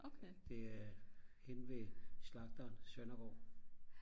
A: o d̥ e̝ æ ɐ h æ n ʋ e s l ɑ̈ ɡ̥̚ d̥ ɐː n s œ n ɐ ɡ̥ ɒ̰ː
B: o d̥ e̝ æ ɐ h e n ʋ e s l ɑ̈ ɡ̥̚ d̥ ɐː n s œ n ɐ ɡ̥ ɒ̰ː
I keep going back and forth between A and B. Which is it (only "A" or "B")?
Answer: B